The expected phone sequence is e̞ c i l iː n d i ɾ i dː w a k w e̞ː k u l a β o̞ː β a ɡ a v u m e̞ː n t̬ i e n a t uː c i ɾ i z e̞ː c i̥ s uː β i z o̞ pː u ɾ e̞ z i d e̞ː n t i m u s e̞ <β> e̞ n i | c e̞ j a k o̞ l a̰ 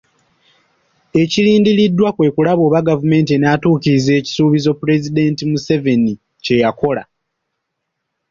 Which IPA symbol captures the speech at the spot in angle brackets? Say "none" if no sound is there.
v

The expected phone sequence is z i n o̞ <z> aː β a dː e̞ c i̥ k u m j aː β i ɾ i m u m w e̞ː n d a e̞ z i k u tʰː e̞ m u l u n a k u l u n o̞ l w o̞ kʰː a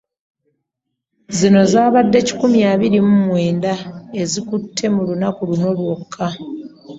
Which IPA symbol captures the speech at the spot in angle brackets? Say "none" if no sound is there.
z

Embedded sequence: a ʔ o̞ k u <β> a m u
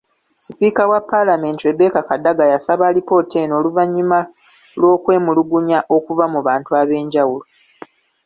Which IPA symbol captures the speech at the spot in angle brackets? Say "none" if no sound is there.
v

